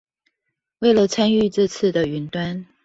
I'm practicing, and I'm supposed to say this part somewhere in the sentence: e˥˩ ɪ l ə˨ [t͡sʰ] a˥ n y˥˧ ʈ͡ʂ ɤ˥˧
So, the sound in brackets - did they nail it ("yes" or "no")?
yes